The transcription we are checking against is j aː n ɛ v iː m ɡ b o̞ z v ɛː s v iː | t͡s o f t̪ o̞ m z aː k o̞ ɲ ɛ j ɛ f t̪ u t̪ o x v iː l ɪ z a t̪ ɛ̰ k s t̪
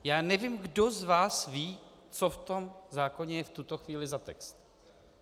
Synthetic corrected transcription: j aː n ɛ v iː m ɡ d o̞ z v aː s v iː | t͡s o f t̪ o̞ m z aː k o̞ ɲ ɛ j ɛ f t̪ u t̪ o x v iː l ɪ z a t̪ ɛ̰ k s t̪